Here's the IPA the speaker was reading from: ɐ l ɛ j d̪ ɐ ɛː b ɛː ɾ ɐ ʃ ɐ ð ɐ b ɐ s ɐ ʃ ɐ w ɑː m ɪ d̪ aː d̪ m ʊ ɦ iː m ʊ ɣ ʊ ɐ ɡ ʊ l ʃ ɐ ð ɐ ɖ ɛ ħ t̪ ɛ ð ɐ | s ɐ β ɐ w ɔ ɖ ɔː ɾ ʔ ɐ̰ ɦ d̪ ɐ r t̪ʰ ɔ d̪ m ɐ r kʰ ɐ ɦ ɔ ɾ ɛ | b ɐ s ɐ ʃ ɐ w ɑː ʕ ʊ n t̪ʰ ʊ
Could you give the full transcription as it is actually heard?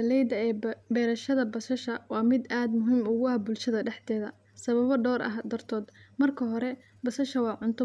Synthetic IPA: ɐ l ɛ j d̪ ɐ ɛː b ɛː ɾ ɐ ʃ ɐ ð ɐ b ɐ s ɐ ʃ ɐ w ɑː m ɪ d̪ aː d̪ m ʊ ɦ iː m ʊ ɣ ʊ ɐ b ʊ l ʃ ɐ ð ɐ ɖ ɛ ħ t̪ ɛː ð ɐ | s ɐ β ɐ β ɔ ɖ ɔː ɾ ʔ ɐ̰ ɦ d̪ ɐ r t̪ʰ ɔː d̪ m ɐ r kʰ ɐ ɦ ɔ ɾ ɛ | b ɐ s ɐ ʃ ɐ w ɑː ʕ ʊ n t̪ʰ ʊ

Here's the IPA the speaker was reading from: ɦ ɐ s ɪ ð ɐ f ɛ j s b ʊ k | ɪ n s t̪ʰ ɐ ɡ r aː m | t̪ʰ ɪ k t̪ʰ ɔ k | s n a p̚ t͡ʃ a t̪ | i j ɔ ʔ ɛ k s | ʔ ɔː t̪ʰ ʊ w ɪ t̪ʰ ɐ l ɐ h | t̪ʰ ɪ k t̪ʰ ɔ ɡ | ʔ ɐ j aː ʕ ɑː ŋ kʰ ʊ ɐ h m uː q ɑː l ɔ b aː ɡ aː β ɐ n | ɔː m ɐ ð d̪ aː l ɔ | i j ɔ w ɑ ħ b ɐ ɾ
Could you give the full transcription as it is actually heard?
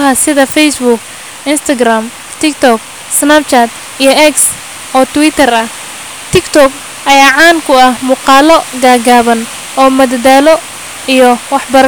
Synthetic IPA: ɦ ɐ s ɪ ð ɐ f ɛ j s b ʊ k | ɪ n s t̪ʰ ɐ ɡ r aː m | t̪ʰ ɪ k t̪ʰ ɔ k | s n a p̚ t͡ʃ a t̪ | i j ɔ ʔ ɛ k s | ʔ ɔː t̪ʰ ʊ w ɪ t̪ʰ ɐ r ɐ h | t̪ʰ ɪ k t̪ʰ ɔ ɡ | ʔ ɐ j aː ʕ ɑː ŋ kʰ ʊ ɐ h m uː q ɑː l ɔ ɡ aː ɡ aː β ɐ n | ɔː m ɐ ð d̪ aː l ɔ | i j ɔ w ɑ ħ b ɐ ɾ

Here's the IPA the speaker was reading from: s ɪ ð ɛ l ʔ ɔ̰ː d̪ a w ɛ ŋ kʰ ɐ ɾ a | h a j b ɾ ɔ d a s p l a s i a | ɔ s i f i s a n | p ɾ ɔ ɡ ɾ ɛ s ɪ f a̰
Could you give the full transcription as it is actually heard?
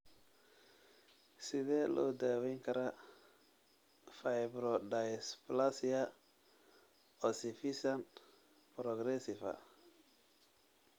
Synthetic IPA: s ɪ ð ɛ l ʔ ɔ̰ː d̪ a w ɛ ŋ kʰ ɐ ɾ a | f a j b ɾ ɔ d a s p l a s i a | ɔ s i f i s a n | p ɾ ɔ ɡ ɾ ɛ s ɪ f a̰

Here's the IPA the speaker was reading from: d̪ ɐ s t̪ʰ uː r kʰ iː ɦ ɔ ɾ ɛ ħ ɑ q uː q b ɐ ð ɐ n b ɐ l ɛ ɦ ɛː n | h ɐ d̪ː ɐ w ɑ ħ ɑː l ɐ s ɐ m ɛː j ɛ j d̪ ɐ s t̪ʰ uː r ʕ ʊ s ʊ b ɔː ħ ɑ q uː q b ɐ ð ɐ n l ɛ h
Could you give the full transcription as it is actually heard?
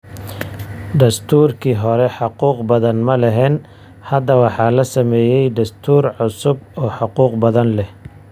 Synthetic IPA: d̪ ɐ s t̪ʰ uː r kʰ iː ɦ ɔ ɾ ɛ ħ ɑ q uː q b ɐ ð ɐ n m ɐ l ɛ ɦ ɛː n | h ɐ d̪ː ɐ w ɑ ħ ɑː l ɐ s ɐ m ɛː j ɛ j d̪ ɐ s t̪ʰ uː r ʕ ʊ s ʊ b ɔː ħ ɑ q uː q b ɐ ð ɐ n l ɛ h

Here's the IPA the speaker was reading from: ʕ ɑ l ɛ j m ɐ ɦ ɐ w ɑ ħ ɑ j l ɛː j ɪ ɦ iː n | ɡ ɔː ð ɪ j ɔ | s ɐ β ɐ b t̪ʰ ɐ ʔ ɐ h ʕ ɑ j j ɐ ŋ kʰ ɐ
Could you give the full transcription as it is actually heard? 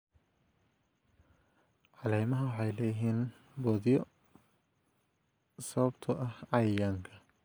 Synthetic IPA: ʕ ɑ l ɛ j m ɐ ɦ ɐ w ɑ ħ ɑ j l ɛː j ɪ ɦ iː n | b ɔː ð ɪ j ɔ | s ɐ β ɐ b t̪ʰ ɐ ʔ ɐ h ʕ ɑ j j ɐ ŋ kʰ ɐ

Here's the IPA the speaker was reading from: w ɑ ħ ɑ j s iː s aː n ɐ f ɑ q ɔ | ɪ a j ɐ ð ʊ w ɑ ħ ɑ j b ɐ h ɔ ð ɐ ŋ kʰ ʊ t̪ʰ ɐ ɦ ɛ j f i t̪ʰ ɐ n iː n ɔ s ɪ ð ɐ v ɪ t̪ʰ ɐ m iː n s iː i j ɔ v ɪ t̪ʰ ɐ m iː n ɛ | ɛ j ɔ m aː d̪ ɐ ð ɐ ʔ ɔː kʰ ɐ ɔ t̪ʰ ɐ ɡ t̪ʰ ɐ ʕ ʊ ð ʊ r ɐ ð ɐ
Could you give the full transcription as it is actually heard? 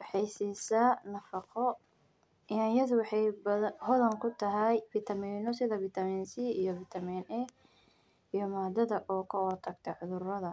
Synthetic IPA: w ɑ ħ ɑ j s iː s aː n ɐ f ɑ q ɔ | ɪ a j ɐ ð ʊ w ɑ ħ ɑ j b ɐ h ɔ ð ɐ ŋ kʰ ʊ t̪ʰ ɐ ɦ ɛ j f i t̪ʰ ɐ m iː n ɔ s ɪ ð ɐ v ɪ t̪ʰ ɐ m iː n s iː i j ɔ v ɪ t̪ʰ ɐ m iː n ɛ | i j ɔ m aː d̪ ɐ ð ɐ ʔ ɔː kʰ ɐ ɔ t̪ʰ ɐ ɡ t̪ʰ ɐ ʕ ʊ ð ʊ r ɐ ð ɐ

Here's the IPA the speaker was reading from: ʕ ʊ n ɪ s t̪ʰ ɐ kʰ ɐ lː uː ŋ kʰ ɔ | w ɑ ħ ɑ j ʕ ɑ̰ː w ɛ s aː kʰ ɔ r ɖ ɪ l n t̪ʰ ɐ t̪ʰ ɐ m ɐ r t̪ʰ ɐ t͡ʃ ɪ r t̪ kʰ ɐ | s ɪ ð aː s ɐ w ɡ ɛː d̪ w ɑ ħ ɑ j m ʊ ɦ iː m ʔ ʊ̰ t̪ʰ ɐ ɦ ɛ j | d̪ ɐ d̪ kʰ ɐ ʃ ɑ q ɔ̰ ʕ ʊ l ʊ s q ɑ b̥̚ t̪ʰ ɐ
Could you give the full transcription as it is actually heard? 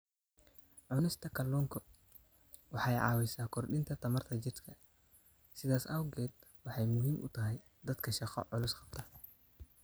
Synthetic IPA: ʕ ʊ n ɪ s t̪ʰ ɐ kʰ ɐ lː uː ŋ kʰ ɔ | w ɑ ħ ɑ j ʕ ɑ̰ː w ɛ s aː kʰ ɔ r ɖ ɪ n t̪ʰ ɐ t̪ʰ ɐ m ɐ r t̪ʰ ɐ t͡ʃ ɪ r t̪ kʰ ɐ | s ɪ ð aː s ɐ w ɡ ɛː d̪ w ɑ ħ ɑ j m ʊ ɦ iː m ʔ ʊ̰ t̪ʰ ɐ ɦ ɛ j | d̪ ɐ d̪ kʰ ɐ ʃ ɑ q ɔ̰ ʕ ʊ l ʊ s q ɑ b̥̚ t̪ʰ ɐ

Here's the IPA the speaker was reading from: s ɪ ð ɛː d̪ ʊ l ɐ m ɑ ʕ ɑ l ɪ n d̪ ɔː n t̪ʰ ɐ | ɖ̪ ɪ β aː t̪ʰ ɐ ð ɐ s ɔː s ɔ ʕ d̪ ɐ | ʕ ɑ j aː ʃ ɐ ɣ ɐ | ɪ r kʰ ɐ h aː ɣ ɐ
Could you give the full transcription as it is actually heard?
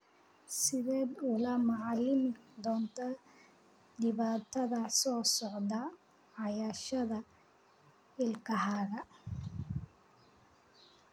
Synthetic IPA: s ɪ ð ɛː d̪ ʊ l ɐ m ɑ ʕ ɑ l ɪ n d̪ ɔː n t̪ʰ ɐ | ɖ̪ ɪ β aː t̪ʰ ɐ ð ɐ s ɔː s ɔ ʕ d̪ ɐ | ʕ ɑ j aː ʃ ɐ ð ɐ | ɪ l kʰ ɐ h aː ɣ ɐ

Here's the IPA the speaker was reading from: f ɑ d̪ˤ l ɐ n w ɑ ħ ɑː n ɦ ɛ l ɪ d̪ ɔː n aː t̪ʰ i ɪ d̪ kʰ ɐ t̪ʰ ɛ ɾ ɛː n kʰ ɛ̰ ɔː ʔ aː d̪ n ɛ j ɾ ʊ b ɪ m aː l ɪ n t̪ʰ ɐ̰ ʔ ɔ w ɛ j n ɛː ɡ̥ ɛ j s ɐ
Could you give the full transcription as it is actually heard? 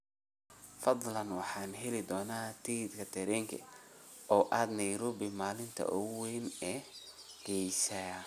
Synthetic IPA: f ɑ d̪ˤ l ɐ n w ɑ ħ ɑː n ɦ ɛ l ɪ d̪ ɔː n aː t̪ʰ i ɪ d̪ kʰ ɐ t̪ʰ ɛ ɾ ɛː ŋ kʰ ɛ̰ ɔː ʔ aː d̪ n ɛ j ɾ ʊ b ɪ m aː l ɪ n t̪ʰ ɐ̰ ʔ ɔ w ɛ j n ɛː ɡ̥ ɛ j s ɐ

